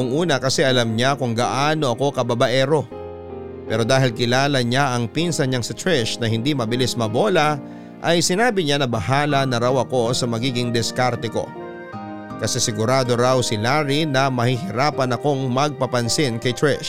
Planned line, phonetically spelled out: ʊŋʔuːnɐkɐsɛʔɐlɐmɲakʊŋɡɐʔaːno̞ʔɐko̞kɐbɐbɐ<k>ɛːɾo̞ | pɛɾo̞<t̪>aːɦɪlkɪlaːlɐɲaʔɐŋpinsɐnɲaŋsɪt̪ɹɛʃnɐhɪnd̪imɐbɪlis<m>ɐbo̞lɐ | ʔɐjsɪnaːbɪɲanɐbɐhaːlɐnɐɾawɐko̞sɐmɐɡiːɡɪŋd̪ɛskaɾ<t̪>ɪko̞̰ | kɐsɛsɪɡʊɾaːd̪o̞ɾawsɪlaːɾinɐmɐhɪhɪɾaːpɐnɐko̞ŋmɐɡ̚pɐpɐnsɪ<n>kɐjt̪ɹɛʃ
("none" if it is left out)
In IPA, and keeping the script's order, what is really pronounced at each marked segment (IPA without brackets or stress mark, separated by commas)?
ʔ, d̪, m, t̪, n